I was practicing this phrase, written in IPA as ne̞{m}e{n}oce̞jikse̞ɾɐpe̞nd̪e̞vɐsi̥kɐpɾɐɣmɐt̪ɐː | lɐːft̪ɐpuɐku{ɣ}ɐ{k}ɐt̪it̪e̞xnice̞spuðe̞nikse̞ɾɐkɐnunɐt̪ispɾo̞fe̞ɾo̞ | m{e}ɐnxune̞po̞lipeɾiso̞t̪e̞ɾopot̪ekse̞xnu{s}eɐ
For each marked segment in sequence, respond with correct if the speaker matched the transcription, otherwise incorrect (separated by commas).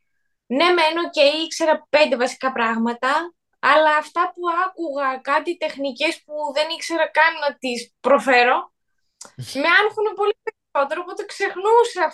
correct, correct, correct, correct, correct, correct